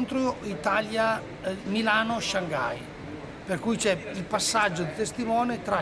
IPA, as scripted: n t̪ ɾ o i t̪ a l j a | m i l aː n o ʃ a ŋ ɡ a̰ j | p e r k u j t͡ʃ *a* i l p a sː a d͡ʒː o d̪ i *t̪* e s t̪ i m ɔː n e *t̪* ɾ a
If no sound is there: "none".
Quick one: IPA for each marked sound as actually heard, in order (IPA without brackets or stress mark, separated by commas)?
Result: ɛ, t̪, t̪